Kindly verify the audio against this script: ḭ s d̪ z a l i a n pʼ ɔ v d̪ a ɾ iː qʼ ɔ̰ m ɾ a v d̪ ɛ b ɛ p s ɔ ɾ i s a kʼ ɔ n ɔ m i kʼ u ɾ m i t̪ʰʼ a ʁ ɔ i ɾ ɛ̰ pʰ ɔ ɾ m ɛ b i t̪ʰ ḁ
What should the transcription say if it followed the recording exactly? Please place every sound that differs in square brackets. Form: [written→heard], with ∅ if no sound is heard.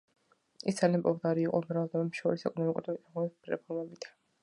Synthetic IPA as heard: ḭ s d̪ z a l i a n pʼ ɔ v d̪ a ɾ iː qʼ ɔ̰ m ɾ a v d̪ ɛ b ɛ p [s→ʃ] ɔ ɾ i s [a→ɛ] kʼ ɔ n ɔ m i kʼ u ɾ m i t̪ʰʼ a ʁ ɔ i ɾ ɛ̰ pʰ ɔ ɾ m ɛ b i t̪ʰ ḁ